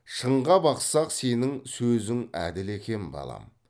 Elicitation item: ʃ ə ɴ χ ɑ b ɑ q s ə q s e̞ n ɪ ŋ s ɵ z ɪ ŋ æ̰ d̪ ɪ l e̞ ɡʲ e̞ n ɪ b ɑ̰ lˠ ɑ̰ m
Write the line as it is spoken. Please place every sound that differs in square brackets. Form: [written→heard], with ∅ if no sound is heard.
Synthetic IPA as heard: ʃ ə ɴ [χ→ʁ] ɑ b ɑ q s [ə→ɑ] q s e̞ n ɪ ŋ s ɵ z ɪ ŋ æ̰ d̪ ɪ l e̞ [ɡʲ→kʲ] e̞ n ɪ b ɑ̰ lˠ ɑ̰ m